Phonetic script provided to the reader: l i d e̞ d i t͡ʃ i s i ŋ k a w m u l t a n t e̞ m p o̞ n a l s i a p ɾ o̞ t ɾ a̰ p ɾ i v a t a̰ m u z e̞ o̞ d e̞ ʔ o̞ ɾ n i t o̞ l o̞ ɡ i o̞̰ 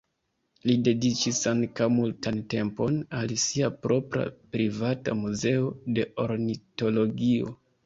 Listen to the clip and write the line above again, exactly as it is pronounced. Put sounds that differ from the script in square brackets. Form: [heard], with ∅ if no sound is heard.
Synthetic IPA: l i d e̞ d i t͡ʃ i s [a] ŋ k a w m u l t a n t e̞ m p o̞ n a l s i a p ɾ o̞ [p] ɾ a̰ p ɾ i v a t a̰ m u z e̞ o̞ d e̞ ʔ o̞ ɾ n i t o̞ l o̞ ɡ i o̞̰